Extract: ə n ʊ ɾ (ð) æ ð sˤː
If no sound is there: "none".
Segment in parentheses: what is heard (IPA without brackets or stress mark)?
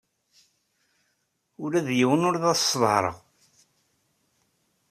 ð